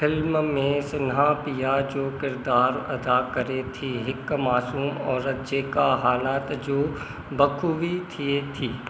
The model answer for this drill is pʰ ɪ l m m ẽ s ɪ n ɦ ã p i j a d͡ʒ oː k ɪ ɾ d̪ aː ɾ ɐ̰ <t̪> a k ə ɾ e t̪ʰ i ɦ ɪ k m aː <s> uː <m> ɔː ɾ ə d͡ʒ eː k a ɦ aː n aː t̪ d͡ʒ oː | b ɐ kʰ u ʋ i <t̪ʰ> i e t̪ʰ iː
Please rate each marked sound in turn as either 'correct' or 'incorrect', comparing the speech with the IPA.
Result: incorrect: d̪, correct, correct, correct

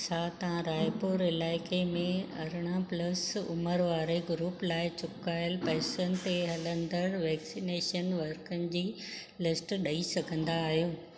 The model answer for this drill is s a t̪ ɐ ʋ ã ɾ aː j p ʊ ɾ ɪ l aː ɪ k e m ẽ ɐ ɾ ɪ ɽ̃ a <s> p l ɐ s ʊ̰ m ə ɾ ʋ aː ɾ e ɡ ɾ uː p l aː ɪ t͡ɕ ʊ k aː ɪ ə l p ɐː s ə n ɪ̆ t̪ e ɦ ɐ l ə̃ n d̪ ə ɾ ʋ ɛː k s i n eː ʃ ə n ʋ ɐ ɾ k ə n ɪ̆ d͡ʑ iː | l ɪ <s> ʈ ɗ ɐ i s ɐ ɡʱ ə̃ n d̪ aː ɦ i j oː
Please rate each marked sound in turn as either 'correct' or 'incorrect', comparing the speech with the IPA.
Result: incorrect: none, correct

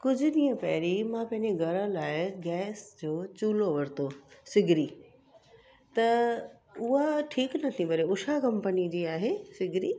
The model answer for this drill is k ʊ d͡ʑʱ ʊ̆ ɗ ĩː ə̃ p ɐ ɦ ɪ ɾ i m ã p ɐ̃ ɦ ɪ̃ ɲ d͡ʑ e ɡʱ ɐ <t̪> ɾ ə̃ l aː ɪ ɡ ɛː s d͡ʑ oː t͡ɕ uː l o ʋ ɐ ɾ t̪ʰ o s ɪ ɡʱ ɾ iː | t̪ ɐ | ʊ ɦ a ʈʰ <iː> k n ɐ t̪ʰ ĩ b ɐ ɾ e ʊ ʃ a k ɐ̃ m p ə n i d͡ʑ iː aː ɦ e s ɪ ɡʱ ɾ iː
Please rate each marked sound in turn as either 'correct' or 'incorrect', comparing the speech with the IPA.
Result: incorrect: none, correct

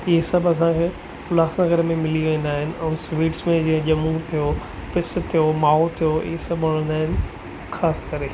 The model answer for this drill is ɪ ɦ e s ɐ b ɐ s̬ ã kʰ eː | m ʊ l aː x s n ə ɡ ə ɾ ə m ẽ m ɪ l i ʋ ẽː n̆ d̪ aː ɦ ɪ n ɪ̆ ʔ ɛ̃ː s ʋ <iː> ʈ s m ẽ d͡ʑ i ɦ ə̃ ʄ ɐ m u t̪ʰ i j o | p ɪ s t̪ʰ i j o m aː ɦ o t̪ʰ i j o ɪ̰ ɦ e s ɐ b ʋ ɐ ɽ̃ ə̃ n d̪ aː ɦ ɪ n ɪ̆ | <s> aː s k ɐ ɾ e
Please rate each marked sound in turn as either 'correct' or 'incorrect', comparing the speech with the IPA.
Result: correct, incorrect: x

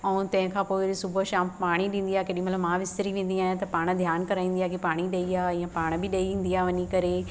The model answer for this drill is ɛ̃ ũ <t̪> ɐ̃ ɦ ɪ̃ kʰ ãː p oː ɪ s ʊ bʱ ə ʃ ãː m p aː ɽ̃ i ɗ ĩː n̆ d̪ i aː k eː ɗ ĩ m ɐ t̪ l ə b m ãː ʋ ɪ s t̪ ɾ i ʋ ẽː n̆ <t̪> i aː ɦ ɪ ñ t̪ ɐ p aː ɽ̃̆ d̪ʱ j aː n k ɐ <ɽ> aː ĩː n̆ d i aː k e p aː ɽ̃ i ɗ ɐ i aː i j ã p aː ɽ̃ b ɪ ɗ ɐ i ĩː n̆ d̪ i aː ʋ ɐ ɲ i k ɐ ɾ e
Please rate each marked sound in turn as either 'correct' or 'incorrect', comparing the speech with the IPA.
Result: correct, incorrect: d̪, incorrect: ɾ

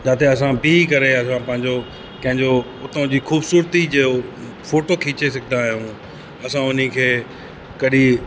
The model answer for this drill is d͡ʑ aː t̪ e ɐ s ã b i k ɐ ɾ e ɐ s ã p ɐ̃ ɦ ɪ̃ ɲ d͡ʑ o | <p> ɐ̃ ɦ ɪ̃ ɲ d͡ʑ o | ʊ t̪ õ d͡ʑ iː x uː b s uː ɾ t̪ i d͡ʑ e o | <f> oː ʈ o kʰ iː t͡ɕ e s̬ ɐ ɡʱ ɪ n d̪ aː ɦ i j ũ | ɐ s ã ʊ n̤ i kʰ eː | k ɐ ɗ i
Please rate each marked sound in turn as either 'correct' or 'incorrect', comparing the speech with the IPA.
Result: incorrect: k, correct

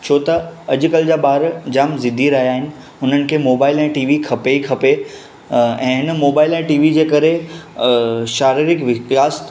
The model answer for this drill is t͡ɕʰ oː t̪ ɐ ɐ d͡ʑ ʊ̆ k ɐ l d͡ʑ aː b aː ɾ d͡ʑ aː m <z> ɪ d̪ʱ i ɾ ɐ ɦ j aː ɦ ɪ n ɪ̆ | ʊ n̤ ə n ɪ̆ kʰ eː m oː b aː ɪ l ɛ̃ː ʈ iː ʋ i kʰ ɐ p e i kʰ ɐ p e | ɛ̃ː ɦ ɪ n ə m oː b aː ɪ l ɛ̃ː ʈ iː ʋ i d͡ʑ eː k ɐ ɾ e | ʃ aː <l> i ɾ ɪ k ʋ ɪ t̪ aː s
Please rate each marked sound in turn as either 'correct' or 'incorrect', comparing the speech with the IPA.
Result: correct, incorrect: ɾ

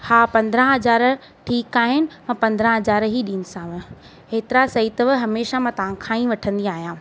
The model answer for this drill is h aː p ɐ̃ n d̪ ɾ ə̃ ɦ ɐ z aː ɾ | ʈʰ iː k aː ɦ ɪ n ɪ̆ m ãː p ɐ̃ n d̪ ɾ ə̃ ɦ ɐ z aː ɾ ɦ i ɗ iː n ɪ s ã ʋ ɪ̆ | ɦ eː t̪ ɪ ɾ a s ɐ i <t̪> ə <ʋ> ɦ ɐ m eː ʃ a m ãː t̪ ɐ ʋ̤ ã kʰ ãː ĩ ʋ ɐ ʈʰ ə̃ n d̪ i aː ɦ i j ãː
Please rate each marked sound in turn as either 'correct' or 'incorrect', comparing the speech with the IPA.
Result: correct, correct

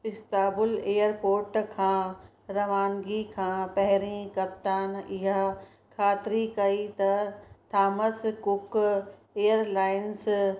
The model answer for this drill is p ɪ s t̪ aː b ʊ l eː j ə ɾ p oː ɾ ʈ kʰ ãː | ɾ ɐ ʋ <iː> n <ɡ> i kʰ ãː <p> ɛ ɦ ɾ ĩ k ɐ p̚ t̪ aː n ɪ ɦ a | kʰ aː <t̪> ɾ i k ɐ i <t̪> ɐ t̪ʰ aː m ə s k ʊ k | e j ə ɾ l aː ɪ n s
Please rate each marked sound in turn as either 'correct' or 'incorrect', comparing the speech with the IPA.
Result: incorrect: aː, correct, correct, correct, correct

